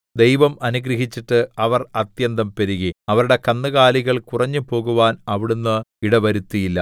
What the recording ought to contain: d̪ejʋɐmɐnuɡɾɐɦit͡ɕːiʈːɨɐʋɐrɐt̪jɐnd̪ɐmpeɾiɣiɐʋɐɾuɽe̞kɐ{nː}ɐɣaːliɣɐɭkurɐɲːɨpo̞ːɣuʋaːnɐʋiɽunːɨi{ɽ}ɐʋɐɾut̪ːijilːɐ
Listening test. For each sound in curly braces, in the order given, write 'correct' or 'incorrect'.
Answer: correct, correct

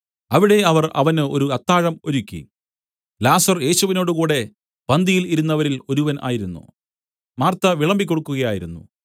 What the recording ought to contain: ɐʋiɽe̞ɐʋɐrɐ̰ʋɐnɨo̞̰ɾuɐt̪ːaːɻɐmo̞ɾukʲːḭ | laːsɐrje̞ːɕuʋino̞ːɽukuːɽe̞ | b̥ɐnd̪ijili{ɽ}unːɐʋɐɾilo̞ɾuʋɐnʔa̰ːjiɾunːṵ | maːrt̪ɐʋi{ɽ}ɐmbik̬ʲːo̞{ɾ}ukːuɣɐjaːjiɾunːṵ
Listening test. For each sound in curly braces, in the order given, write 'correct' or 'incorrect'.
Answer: incorrect: ɾ, incorrect: ɭ, incorrect: ɽ

